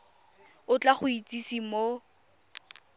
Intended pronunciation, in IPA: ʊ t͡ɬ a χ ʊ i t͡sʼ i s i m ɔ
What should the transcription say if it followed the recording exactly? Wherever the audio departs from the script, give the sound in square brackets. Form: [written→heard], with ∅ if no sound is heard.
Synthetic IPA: ʊ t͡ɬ a χ ʊ i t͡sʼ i s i m [ɔ→o]